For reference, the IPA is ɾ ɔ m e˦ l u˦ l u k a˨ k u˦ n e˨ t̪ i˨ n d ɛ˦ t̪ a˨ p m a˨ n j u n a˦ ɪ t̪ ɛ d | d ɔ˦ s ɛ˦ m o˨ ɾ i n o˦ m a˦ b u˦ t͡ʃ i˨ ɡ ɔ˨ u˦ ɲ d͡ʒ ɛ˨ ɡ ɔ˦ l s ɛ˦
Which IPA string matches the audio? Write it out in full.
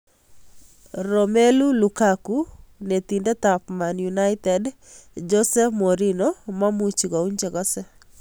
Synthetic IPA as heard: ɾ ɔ m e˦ l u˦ l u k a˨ k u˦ n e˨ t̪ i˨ n d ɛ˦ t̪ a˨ p m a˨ n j u n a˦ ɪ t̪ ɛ d | d͡ʒ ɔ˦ s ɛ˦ m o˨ ɾ i n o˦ m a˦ m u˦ t͡ʃ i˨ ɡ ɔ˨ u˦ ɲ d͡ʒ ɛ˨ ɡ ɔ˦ s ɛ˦